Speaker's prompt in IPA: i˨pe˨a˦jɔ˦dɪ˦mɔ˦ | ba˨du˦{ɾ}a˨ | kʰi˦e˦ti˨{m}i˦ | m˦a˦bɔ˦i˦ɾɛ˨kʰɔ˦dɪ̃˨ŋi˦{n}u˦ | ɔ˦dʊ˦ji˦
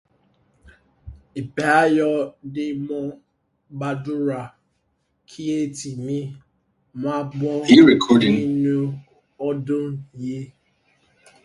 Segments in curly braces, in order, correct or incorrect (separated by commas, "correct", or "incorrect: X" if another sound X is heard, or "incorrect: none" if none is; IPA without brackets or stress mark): correct, correct, correct